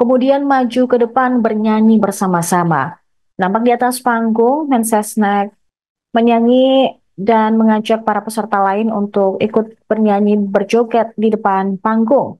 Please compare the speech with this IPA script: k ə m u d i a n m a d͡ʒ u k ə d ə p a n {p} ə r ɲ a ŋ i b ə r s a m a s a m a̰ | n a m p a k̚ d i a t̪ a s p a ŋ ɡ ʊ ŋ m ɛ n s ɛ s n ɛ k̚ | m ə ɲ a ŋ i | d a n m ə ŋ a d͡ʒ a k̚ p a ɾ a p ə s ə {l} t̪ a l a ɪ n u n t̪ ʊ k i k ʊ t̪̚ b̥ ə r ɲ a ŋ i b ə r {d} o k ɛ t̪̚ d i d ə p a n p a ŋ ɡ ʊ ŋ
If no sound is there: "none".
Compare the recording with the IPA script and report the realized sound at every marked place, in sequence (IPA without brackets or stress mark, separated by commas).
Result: b, r, d͡ʒ